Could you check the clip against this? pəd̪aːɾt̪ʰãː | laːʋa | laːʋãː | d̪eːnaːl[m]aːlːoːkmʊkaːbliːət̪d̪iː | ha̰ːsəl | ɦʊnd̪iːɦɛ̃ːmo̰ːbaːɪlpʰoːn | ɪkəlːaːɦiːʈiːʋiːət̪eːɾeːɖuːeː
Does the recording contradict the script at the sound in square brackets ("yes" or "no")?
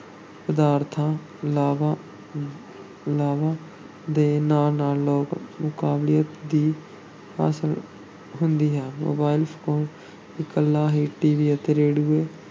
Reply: yes